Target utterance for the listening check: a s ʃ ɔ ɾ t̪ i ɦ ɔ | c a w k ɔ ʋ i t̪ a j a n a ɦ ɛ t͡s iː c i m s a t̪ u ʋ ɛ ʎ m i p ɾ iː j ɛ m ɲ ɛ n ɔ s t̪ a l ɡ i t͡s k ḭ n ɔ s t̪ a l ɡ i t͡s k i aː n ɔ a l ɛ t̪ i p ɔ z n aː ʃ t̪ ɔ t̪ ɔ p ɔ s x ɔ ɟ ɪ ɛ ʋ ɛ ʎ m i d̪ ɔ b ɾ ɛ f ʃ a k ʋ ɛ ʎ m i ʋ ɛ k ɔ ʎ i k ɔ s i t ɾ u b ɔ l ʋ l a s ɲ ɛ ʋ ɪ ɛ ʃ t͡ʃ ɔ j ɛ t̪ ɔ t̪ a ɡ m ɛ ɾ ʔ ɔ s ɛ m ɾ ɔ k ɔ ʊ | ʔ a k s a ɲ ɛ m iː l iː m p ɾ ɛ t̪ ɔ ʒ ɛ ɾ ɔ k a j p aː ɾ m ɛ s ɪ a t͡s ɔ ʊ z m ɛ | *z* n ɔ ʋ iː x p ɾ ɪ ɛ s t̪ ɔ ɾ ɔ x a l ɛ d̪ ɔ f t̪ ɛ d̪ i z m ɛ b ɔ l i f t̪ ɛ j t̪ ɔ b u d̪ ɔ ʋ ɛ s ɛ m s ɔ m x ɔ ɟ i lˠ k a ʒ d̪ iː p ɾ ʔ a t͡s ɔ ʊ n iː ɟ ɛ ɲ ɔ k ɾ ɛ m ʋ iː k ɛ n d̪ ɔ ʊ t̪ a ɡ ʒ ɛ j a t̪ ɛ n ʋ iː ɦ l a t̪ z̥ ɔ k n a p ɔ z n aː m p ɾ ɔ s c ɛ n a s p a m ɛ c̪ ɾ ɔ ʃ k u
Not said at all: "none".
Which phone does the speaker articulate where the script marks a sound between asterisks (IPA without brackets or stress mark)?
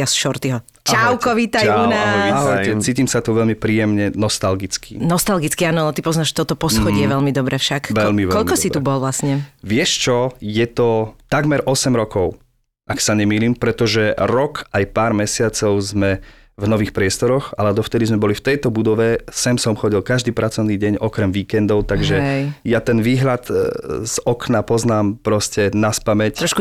v